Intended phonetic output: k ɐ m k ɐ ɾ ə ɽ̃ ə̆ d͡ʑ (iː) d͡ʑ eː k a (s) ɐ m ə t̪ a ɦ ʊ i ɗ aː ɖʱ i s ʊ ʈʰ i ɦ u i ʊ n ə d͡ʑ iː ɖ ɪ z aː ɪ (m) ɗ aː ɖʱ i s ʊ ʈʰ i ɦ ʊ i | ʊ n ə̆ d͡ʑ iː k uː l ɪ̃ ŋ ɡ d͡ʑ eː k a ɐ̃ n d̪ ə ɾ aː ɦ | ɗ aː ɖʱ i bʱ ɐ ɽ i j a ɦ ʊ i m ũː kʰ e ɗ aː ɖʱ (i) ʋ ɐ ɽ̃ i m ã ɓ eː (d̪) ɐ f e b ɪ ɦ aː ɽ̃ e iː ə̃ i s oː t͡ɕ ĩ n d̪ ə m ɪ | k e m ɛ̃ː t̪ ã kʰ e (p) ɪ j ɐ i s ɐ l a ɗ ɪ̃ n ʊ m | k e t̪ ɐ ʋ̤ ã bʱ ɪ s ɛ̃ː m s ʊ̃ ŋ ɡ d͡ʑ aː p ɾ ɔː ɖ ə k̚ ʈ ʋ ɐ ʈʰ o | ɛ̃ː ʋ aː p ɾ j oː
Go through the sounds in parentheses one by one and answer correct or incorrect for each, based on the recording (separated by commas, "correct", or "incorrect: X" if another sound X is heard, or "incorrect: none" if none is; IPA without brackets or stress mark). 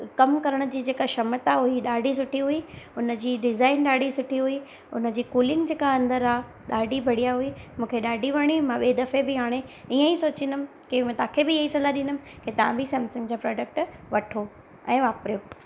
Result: correct, incorrect: ʃ, incorrect: n, correct, correct, incorrect: b